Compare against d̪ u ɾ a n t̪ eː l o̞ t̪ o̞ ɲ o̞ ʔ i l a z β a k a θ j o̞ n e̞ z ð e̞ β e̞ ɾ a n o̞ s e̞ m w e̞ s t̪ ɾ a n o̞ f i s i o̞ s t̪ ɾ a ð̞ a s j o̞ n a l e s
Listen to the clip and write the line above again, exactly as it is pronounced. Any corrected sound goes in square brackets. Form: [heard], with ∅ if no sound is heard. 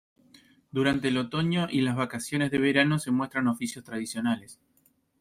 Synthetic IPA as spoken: d̪ u ɾ a n t̪ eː l o̞ t̪ o̞ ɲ o̞ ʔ i l a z β a k a [s] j o̞ n e̞ z ð e̞ β e̞ ɾ a n o̞ s e̞ m w e̞ s t̪ ɾ a n o̞ f i s [j] o̞ s t̪ ɾ a ð̞ [i] s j o̞ n a l e s